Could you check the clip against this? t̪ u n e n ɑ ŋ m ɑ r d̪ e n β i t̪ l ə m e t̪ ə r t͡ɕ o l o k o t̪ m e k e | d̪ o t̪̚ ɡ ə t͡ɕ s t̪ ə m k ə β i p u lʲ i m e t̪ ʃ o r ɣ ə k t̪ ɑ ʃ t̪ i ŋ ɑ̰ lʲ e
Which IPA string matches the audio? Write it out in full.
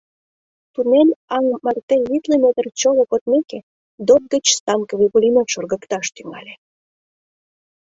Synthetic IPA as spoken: t̪ u n e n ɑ ŋ m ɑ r t̪ e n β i t̪ l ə m e t̪ ə r t͡ɕ o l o k o t̪ m e k e | d̪ o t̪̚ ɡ ə t͡ɕ s t̪ ɑ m k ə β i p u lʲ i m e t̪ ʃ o r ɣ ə k t̪ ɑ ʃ t̪ y ŋ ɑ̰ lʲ e